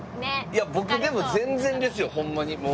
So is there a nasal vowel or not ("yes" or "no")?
yes